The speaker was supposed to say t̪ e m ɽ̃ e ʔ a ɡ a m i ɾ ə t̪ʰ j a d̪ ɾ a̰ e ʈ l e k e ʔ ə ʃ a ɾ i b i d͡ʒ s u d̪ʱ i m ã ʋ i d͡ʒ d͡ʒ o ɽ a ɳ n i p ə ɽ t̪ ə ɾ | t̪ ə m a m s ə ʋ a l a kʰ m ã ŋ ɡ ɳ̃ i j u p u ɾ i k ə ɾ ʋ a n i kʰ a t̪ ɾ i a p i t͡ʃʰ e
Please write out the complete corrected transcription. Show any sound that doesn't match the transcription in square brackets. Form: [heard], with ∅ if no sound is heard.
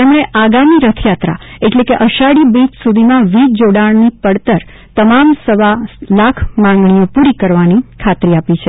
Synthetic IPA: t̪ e m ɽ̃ e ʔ a ɡ a m i ɾ ə t̪ʰ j a [t̪] ɾ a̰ e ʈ l e k e ʔ ə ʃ a [ɽ] i b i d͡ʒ s u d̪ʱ i m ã ʋ i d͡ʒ d͡ʒ o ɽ a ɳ n i p ə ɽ t̪ ə ɾ | t̪ ə m a m s ə ʋ a l a kʰ m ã ŋ ɡ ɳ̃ i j [o] p u ɾ i k ə ɾ ʋ a n i kʰ a t̪ ɾ i a p i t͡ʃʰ e